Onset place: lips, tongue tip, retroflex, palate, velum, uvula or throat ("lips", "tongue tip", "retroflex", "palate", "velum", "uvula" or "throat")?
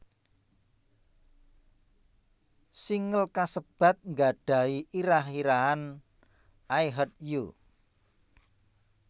tongue tip